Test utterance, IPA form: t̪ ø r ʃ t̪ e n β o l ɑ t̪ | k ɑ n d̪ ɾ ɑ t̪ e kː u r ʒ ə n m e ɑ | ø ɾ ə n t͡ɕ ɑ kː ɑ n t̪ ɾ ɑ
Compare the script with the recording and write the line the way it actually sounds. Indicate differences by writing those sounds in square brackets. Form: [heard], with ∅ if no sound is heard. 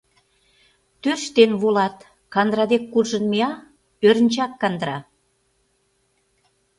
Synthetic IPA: t̪ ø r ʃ t̪ e n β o l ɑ t̪ | k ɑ n d̪ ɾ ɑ [d̪] e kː u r ʒ ə n m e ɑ | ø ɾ ə n t͡ɕ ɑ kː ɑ n [d̪] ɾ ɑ